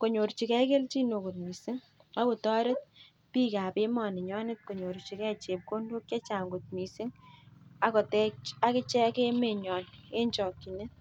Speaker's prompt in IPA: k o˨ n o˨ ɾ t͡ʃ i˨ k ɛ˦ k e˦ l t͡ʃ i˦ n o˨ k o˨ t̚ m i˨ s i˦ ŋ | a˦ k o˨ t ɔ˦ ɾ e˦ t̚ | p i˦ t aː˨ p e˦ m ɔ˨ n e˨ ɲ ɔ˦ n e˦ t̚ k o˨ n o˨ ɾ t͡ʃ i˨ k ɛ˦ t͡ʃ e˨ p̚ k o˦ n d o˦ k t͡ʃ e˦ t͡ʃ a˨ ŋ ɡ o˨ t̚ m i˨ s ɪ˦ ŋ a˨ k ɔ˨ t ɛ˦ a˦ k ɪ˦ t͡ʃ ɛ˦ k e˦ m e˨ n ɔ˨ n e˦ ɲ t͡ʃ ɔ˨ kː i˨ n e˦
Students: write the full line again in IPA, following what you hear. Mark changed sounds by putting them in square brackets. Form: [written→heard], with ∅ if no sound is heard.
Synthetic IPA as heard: k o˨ [n→ɲ] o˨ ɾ t͡ʃ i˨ k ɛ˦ k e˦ l t͡ʃ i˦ n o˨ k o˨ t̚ m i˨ s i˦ ŋ | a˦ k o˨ t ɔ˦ ɾ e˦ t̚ | p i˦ [t→k] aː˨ p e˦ m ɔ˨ n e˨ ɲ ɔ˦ n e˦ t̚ k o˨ [n→ɲ] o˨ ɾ t͡ʃ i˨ k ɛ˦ t͡ʃ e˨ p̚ k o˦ n d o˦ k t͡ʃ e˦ t͡ʃ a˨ ŋ ɡ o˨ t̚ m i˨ s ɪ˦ ŋ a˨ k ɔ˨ t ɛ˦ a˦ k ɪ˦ t͡ʃ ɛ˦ k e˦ m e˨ [n→ɲ] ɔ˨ n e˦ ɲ t͡ʃ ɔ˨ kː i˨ n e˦

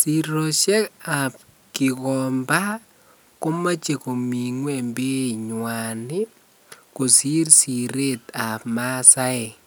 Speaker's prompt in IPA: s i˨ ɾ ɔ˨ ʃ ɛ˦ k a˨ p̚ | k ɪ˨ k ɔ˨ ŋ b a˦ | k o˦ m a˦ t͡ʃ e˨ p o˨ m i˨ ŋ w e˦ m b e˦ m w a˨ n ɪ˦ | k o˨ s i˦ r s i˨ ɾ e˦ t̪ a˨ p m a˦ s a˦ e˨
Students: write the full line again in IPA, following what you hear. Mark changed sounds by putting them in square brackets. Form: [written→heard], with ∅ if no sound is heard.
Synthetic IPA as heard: s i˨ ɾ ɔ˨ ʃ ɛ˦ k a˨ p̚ | k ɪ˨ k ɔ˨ [ŋ→m] b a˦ | k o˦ m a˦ t͡ʃ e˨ [p→k] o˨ m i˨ ŋ w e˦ m b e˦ [m→ɲ] w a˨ n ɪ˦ | k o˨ s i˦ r s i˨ ɾ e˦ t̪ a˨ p m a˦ s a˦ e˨

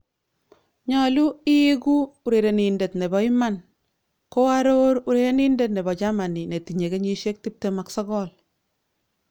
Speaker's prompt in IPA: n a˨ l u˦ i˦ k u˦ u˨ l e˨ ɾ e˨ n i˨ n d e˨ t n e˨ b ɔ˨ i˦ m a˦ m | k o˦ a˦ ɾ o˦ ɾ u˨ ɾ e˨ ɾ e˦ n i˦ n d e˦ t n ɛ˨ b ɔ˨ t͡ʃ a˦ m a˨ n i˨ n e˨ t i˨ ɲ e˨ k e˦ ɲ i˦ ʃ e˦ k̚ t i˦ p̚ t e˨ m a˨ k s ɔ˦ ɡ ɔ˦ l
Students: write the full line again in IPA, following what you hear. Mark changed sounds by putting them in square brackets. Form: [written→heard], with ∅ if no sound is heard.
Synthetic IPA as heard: [n→ɲ] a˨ l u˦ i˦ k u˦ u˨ [l→ɾ] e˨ ɾ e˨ n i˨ n d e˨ t n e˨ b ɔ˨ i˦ m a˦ [m→n] | k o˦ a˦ ɾ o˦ ɾ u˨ ɾ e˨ ɾ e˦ n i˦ n d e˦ t n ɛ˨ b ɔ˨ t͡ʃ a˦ m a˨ n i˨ n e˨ t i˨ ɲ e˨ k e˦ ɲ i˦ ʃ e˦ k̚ t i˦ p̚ t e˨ m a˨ k s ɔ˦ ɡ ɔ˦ l

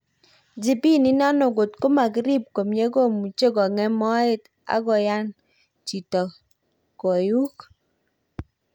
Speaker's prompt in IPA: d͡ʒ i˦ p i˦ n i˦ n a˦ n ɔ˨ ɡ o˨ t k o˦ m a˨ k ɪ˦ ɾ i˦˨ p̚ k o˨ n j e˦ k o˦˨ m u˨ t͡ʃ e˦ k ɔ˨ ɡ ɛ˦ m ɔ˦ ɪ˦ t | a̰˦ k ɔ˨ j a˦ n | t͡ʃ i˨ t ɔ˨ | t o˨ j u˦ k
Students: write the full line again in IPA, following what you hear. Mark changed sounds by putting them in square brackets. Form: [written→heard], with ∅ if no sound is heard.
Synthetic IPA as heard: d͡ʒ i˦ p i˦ n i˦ n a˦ n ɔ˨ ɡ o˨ t k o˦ m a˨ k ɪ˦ ɾ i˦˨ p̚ k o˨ [n→m] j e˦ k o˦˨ m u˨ t͡ʃ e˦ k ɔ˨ [ɡ→ŋ] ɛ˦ m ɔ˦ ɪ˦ t | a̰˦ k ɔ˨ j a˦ n | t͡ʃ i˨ t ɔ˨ | [t→k] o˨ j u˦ k

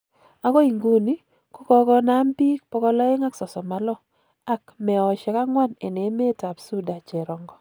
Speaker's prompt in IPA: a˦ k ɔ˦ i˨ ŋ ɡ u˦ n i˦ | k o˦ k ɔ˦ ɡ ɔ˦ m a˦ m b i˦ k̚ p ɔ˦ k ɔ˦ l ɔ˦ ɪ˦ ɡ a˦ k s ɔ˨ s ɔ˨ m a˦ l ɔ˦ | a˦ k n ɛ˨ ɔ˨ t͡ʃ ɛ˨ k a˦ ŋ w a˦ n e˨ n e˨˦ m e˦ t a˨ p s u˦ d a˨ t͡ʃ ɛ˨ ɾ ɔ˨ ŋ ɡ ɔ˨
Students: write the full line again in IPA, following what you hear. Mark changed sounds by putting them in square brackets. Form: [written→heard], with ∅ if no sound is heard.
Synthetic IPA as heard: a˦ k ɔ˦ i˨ ŋ ɡ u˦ n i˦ | k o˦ k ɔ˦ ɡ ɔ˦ [m→n] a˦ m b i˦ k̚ p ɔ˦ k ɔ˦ l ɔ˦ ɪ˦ [ɡ→ŋ] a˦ k s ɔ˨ s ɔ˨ m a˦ l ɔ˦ | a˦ k [n→m] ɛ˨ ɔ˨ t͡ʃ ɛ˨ k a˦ ŋ w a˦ n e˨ n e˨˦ m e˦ t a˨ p s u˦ d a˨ t͡ʃ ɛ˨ ɾ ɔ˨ ŋ ɡ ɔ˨

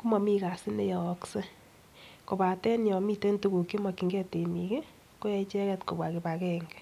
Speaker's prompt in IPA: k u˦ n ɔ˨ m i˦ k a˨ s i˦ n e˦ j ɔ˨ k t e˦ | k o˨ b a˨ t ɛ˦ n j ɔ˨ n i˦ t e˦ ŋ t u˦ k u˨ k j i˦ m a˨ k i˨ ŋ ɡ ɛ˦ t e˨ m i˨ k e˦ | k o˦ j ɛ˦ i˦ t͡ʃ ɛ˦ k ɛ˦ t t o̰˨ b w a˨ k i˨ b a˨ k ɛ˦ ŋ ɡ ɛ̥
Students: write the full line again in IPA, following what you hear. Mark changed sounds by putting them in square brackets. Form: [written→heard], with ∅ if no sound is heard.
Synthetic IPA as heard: k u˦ [n→m] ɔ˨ m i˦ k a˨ s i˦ n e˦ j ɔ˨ k [t→s] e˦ | k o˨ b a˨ t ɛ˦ n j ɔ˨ [n→m] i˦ t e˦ [ŋ→n] t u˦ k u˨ k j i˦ m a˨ k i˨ ŋ ɡ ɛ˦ t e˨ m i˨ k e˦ | k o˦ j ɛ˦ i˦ t͡ʃ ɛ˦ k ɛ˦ t [t→k] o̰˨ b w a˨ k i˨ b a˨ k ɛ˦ ŋ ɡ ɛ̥

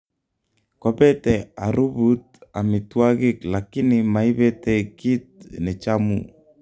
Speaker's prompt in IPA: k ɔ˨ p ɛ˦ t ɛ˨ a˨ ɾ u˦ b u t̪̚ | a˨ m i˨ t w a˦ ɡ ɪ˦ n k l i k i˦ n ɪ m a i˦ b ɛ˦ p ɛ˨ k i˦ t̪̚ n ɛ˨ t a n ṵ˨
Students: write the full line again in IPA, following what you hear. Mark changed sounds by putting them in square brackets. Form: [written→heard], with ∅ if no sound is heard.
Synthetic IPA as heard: k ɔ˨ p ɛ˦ t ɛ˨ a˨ ɾ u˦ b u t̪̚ | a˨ m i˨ t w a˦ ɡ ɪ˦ [n→∅] k l [i→a] k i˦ n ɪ m a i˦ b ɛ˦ [p→t] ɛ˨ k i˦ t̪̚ n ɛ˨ [t→t͡ʃ] a [n→m] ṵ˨

